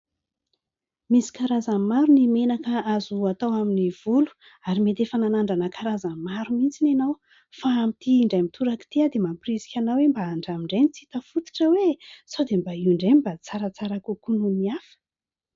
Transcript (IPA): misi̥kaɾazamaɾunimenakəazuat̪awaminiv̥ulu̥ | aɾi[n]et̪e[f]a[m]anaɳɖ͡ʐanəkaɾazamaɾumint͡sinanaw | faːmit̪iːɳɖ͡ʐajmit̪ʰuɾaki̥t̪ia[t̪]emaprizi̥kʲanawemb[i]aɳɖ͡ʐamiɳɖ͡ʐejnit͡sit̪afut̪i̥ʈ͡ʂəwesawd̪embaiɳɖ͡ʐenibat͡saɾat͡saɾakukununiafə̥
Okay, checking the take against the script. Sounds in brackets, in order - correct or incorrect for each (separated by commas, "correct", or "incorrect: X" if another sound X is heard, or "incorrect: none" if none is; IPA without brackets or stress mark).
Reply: incorrect: m, correct, incorrect: n, incorrect: d̪, incorrect: a